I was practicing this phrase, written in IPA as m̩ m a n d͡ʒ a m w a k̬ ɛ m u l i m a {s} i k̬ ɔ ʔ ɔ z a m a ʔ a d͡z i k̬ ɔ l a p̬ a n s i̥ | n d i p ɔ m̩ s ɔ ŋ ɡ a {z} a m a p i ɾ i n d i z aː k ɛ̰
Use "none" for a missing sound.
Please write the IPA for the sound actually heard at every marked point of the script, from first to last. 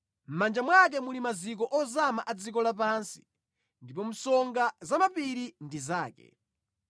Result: z, z

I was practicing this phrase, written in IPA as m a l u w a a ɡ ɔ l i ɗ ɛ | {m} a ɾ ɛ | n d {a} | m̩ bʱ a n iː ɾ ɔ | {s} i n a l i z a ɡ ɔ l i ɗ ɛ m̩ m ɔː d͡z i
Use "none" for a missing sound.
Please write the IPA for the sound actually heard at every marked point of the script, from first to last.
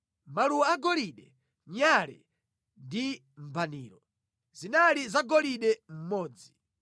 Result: ɲ, i, z

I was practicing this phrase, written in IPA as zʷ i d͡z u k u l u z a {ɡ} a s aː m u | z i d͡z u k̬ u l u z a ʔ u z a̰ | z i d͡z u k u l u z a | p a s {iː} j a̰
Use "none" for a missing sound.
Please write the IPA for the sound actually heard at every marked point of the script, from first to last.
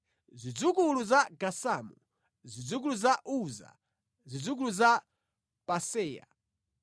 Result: ɡ, ɛː

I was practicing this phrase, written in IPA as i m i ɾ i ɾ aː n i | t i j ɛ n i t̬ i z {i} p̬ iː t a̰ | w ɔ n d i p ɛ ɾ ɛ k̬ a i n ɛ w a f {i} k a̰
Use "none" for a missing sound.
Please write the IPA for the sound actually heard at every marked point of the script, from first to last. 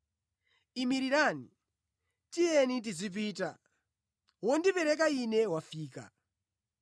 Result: i, iː

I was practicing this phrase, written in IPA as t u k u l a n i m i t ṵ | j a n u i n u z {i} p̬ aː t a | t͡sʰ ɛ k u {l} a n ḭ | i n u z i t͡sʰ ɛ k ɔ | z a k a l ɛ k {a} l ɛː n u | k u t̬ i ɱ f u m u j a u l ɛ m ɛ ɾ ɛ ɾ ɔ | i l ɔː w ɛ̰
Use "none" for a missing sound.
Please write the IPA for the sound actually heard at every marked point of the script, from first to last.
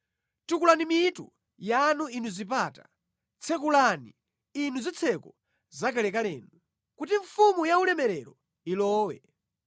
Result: i, l, a

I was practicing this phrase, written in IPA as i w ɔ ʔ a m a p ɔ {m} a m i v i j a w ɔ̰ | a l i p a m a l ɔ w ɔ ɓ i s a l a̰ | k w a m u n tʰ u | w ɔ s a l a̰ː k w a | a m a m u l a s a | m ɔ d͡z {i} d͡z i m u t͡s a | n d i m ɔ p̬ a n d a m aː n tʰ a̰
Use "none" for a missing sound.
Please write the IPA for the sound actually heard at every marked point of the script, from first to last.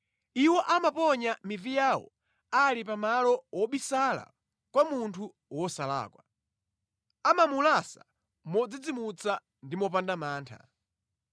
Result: ɲ, i

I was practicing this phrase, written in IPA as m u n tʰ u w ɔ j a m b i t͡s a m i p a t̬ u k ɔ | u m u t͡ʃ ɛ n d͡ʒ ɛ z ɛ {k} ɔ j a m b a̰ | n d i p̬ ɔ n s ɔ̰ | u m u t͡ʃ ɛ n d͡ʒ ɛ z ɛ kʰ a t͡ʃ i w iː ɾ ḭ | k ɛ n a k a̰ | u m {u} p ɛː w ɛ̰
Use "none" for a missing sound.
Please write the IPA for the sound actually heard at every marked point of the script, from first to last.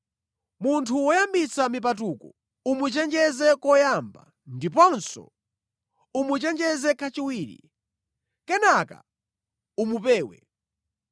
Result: k, u

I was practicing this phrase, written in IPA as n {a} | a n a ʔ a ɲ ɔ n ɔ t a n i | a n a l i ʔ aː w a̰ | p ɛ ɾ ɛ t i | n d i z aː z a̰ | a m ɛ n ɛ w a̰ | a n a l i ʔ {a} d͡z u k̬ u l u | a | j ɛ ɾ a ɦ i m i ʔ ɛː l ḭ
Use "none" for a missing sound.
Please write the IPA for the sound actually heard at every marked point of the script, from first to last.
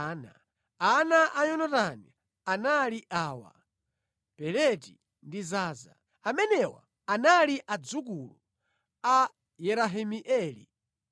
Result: a, a

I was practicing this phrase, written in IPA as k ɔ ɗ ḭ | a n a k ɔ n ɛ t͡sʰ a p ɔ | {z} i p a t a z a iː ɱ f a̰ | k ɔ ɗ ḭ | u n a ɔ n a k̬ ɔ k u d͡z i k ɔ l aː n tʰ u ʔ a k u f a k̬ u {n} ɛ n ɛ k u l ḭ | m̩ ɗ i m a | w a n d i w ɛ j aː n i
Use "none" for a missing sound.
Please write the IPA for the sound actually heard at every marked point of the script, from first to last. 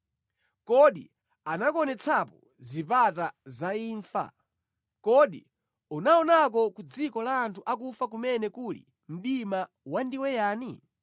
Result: z, m

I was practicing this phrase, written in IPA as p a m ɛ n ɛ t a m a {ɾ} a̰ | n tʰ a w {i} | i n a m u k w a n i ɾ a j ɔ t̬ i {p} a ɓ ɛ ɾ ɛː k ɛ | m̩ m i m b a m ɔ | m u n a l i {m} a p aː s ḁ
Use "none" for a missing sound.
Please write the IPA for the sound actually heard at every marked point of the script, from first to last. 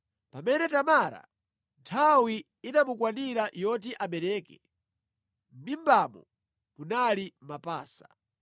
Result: ɾ, i, ʔ, m

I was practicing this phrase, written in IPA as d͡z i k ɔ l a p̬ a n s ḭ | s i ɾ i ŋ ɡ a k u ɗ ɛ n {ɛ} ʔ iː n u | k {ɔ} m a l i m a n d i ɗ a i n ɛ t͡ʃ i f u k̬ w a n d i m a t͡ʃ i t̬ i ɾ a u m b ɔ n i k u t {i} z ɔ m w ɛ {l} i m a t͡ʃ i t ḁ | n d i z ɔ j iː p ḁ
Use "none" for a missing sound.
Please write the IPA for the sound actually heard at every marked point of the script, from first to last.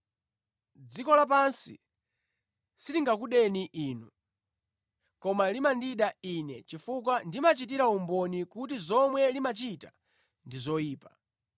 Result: i, ɔ, i, l

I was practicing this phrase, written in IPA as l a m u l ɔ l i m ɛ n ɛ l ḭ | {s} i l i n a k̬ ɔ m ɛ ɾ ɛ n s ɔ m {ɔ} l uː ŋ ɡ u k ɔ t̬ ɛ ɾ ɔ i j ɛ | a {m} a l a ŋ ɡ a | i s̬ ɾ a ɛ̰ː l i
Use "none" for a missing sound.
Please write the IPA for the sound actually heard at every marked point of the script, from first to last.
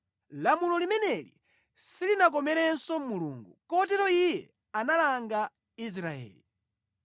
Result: s, u, n

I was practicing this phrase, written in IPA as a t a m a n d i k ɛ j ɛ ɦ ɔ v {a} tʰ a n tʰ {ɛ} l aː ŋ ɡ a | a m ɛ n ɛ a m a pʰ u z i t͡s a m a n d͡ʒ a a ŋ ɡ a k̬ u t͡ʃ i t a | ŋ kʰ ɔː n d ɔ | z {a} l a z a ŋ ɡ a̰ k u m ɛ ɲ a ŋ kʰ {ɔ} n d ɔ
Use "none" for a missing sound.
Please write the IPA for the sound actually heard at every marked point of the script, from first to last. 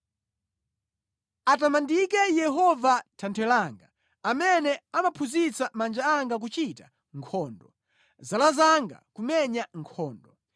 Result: a, ɛ, a, ɔː

